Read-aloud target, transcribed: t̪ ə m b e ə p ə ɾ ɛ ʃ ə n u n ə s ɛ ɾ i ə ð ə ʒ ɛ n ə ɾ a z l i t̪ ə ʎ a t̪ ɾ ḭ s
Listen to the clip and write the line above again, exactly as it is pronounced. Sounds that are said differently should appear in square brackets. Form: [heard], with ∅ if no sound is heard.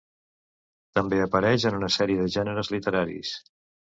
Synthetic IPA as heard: t̪ ə m b e ə p ə ɾ ɛ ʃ ə n u n ə s ɛ ɾ i ə ð ə ʒ ɛ n ə ɾ [ə] z l i t̪ ə [ɾ] a [∅] ɾ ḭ s